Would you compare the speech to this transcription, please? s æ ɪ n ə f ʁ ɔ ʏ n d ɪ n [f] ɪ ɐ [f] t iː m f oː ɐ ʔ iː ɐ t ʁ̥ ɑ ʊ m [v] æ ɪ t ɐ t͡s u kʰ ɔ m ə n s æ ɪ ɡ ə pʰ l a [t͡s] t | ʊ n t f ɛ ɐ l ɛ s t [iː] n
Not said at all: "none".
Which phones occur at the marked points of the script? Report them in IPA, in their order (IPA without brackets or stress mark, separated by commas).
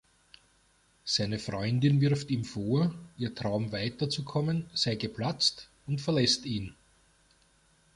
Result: v, f, v, t͡s, iː